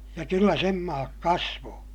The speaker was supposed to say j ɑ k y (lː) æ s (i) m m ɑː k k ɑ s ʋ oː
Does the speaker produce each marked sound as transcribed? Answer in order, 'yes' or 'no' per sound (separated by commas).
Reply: yes, no